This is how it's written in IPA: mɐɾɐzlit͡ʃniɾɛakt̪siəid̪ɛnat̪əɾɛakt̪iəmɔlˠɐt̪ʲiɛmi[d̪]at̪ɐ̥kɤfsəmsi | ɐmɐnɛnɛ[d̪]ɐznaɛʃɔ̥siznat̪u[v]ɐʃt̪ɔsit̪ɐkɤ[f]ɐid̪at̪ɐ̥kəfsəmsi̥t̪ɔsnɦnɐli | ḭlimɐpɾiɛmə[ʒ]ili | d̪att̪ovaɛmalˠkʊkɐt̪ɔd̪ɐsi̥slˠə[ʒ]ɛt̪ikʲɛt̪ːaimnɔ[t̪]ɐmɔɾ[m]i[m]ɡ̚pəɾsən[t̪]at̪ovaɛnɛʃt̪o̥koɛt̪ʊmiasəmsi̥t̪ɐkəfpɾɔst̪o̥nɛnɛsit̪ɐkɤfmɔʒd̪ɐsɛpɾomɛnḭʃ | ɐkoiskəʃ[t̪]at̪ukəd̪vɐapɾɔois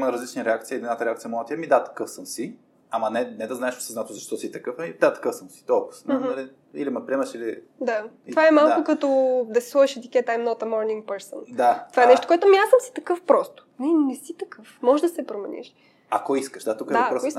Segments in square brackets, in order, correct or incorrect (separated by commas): correct, correct, incorrect, correct, incorrect, incorrect, correct, incorrect, incorrect, incorrect, incorrect